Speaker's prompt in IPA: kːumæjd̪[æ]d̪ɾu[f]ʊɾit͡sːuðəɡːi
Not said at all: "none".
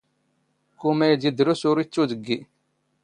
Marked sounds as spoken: i, s

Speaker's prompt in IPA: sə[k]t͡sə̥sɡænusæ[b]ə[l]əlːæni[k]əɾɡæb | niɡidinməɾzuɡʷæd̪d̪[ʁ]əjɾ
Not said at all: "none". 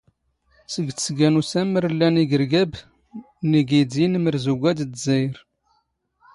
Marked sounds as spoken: ɡ, m, ɾ, ɡ, z

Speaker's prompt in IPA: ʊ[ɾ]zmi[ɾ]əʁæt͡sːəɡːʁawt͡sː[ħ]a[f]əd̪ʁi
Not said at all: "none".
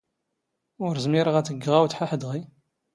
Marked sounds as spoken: ɾ, ɾ, ħ, ħ

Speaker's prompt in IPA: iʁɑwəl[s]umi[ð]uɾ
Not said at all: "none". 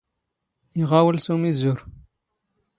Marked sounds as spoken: s, z

